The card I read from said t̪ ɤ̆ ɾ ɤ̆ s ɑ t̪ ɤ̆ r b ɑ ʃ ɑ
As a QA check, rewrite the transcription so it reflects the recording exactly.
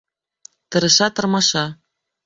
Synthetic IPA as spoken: t̪ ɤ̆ ɾ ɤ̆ ʃ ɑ t̪ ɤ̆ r m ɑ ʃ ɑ